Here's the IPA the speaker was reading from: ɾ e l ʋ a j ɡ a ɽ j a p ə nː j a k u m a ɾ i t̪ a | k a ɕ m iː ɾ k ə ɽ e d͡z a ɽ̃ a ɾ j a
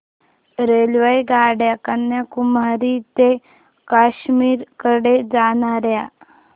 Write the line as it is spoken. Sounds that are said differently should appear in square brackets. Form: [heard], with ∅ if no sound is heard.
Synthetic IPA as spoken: ɾ e l ʋ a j ɡ a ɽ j a [k] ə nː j a k u m a ɾ i t̪ [e] | k a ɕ m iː ɾ k ə ɽ e d͡z a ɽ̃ a ɾ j a